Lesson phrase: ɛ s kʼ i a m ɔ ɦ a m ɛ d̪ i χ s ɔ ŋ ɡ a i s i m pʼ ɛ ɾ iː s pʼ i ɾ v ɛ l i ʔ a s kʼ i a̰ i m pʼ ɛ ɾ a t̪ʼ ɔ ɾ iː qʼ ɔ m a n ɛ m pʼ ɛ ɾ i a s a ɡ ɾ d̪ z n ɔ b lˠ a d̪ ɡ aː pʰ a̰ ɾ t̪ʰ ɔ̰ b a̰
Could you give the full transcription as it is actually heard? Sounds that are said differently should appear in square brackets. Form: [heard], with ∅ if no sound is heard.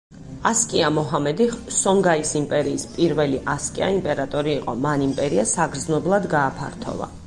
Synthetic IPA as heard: [a] s kʼ i a m ɔ ɦ a m ɛ d̪ i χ s ɔ ŋ ɡ a i s i m pʼ ɛ ɾ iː s pʼ i ɾ v ɛ l i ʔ a s kʼ i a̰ i m pʼ ɛ ɾ a t̪ʼ ɔ ɾ iː qʼ ɔ m a n [i] m pʼ ɛ ɾ i a s a ɡ ɾ d̪ z n ɔ b lˠ a d̪ ɡ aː pʰ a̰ ɾ t̪ʰ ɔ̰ [v] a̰